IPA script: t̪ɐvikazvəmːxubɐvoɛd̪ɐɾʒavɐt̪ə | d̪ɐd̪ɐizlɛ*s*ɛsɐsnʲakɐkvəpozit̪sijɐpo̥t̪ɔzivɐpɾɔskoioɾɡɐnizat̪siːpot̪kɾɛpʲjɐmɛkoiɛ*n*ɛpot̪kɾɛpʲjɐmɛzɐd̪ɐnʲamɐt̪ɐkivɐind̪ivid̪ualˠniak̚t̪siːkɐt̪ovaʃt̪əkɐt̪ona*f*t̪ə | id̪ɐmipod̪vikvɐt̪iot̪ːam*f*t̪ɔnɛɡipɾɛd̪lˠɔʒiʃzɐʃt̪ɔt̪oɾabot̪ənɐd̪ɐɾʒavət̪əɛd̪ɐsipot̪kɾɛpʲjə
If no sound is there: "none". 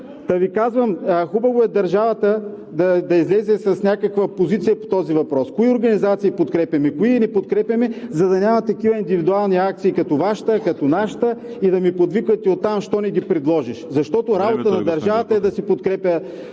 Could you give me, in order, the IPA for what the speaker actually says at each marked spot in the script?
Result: z, n, ʃ, ʃ

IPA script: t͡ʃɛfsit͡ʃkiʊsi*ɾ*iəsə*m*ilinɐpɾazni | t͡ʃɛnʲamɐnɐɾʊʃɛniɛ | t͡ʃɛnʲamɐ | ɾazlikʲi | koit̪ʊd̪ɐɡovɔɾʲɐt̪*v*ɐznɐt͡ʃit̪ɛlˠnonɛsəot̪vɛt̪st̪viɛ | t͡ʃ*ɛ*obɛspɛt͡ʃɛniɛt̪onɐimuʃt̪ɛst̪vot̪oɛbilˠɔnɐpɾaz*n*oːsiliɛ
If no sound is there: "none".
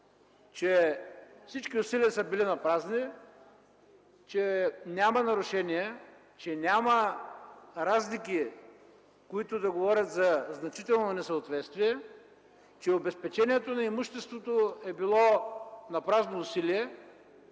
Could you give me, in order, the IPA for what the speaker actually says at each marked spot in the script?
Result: l, b, z, ɛ, n

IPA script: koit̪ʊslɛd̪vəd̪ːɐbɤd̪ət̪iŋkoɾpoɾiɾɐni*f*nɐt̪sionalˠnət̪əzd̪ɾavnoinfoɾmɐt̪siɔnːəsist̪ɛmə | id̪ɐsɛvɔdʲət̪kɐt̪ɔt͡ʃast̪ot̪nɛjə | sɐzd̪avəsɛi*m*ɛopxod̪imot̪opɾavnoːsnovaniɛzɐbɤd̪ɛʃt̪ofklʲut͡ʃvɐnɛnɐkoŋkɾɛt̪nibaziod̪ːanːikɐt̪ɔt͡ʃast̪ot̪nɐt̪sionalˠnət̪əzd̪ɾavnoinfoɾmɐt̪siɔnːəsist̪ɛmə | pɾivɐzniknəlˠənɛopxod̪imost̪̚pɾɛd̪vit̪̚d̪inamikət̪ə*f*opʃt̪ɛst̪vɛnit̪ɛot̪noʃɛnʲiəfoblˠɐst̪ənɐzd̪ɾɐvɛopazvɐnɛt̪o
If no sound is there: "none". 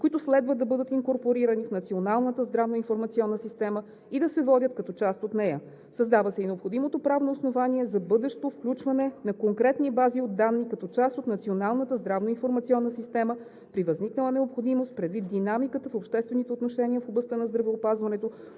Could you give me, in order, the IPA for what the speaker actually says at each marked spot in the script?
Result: f, n, f

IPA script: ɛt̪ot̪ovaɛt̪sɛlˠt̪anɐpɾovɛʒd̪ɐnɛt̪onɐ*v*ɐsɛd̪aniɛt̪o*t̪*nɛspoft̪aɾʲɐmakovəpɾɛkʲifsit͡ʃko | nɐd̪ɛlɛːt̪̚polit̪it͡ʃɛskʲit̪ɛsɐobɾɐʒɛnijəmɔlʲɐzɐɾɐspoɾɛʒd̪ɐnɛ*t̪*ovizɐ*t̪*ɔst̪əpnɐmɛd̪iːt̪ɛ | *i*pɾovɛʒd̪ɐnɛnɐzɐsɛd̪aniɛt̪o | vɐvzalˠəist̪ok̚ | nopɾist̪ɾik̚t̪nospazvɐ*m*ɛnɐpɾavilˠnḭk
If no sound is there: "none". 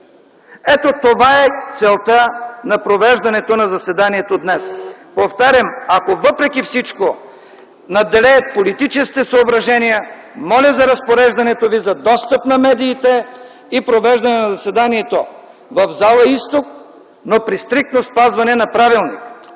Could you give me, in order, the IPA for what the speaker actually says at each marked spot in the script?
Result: z, d̪, t̪, d̪, i, n

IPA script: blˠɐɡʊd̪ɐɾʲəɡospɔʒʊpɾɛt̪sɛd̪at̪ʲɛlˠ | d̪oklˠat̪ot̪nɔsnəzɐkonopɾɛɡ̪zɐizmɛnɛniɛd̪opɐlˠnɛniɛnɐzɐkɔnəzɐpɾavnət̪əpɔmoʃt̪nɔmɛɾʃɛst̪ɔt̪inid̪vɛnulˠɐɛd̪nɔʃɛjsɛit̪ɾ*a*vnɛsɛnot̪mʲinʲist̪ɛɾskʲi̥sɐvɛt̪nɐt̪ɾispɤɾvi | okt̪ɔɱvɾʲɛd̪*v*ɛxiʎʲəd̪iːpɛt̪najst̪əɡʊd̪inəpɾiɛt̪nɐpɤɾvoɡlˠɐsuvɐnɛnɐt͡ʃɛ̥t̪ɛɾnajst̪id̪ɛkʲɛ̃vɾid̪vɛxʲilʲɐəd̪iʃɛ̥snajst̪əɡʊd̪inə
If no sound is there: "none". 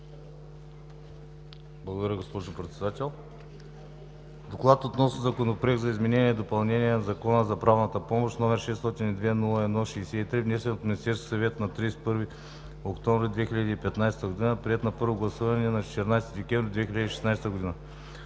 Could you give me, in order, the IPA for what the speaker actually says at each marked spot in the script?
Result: i, v

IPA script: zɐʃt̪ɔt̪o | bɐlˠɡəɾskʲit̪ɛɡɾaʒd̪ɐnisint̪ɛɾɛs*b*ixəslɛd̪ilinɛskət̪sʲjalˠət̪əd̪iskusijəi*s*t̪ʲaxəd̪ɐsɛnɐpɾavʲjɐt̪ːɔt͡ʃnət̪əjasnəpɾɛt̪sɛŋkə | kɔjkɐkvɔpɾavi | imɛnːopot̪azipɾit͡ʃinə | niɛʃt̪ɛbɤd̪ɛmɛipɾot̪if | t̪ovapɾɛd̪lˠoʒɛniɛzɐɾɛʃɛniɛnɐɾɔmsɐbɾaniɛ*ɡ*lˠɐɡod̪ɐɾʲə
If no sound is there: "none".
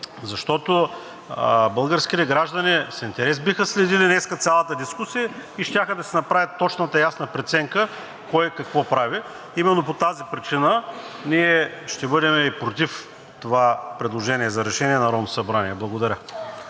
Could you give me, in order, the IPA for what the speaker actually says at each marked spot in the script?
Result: b, ʃ, b

